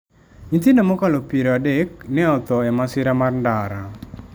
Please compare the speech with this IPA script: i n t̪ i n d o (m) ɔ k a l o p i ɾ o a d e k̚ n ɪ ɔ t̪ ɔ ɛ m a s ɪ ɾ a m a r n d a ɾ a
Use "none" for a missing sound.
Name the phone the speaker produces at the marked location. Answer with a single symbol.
m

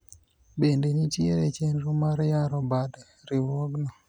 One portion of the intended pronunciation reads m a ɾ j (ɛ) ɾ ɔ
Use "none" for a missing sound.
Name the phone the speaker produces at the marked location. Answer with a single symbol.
a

